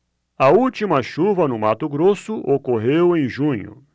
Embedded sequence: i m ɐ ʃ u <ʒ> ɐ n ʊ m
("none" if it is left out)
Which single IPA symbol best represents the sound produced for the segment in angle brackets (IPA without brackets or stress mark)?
v